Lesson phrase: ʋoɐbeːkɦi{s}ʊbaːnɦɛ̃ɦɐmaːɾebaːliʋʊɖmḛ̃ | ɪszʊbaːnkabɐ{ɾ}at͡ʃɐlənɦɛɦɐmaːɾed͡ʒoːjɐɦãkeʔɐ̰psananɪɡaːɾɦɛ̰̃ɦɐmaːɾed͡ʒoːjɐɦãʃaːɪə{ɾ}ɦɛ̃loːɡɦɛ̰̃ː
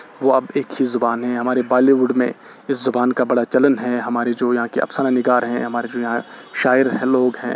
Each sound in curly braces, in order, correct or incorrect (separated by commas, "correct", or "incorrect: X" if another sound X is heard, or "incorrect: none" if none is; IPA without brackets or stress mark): incorrect: z, incorrect: ɽ, correct